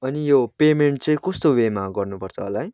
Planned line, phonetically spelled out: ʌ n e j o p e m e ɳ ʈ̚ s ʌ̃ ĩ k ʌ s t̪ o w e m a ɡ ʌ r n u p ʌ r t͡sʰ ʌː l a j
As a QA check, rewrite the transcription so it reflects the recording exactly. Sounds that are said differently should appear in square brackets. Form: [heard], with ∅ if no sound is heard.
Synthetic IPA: ʌ n [i] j o p e m e ɳ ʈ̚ [t͡s] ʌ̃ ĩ k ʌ s t̪ o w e m a ɡ ʌ r n u p ʌ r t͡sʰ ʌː l a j